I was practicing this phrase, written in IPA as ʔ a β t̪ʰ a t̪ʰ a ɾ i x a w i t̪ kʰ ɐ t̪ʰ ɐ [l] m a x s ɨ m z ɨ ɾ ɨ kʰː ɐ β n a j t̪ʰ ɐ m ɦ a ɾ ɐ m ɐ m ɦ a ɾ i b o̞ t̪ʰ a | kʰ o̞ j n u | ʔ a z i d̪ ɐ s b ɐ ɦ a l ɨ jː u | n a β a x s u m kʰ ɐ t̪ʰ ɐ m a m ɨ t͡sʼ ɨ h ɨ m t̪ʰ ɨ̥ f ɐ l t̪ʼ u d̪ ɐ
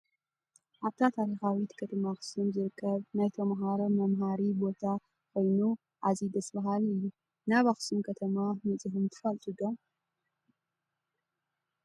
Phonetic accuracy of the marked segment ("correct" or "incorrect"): incorrect